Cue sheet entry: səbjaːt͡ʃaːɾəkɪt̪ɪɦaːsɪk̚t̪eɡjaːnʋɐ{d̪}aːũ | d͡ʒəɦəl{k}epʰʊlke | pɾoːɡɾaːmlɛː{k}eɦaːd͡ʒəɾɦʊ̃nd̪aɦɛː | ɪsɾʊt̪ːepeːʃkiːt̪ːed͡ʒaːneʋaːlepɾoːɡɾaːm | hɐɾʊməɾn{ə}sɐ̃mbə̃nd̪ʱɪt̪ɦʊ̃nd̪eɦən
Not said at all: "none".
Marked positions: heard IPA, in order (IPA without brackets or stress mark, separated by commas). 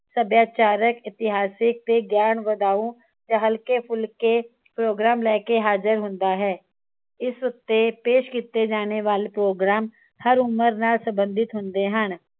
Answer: d̪, k, k, a